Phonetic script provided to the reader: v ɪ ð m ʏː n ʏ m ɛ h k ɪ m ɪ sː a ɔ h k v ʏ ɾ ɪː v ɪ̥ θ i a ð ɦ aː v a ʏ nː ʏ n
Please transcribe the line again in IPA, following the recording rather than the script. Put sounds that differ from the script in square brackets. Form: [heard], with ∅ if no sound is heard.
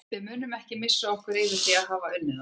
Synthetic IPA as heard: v ɪ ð m ʏː n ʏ m ɛ h [c] ɪ m ɪ sː a ɔ h k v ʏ ɾ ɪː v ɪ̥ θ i a ð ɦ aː v a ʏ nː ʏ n